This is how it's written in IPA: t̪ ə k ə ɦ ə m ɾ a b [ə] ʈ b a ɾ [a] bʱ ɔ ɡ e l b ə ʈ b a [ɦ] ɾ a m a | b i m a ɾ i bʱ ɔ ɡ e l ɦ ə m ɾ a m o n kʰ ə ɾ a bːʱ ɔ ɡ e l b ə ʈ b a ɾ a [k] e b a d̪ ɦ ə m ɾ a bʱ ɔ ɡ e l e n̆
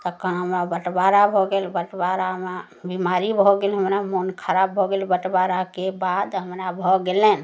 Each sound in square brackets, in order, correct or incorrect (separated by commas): correct, correct, incorrect, correct